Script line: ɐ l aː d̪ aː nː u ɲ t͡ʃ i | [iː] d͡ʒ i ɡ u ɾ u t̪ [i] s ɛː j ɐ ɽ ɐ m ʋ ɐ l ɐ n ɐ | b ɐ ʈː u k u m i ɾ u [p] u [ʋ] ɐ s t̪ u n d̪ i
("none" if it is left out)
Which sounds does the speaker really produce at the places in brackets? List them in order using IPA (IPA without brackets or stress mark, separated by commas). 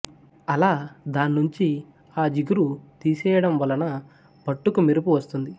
aː, iː, p, ʋ